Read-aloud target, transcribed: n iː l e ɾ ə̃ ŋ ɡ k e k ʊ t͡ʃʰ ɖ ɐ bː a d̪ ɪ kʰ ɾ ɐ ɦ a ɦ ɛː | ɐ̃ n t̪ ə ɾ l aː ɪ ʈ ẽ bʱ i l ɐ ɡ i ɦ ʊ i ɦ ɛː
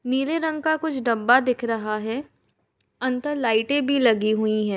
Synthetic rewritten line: n iː l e ɾ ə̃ ŋ ɡ k a k ʊ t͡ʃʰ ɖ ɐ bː a d̪ ɪ kʰ ɾ ɐ ɦ a ɦ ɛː | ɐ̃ n t̪ ə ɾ l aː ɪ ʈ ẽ bʱ i l ɐ ɡ i ɦ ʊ i ɦ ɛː